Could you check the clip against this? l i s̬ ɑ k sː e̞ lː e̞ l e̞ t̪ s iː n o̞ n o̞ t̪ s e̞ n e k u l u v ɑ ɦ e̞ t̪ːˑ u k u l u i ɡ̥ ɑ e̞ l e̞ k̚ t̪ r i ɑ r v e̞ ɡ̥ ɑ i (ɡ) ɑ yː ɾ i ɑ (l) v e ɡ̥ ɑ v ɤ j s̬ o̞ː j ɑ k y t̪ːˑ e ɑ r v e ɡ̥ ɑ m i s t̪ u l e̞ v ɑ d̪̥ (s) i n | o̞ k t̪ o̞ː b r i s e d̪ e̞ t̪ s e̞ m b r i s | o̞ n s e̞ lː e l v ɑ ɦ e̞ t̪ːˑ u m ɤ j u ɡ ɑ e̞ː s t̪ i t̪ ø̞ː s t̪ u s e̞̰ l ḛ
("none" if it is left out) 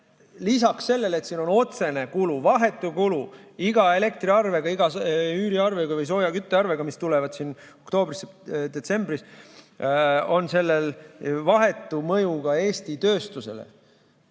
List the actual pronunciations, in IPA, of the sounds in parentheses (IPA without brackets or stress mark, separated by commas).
ɡ, r, s